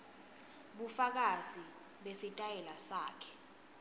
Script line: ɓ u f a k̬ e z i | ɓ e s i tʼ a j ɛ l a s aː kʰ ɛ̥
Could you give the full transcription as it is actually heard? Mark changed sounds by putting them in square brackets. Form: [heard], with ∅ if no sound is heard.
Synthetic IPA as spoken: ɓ u f a k̬ [a] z i | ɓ e s i tʼ a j ɛ l a s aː kʰ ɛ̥